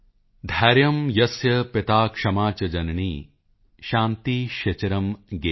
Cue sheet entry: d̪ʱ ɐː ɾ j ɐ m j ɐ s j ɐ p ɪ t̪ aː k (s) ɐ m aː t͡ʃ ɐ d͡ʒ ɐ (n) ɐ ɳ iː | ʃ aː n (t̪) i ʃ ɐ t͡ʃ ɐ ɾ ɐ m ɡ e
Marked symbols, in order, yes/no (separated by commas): no, yes, yes